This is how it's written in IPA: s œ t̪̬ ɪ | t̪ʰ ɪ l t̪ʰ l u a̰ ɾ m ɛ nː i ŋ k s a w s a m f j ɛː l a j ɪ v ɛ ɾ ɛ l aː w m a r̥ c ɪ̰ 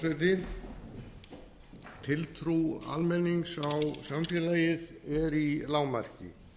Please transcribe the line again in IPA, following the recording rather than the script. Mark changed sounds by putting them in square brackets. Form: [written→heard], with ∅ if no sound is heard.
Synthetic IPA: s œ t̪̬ ɪ | t̪ʰ ɪ l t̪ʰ [l→ɾ] u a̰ [ɾ→l] m ɛ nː i ŋ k s a w s a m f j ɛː l a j ɪ [v→ð] ɛ ɾ [ɛ→i] l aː w m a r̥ c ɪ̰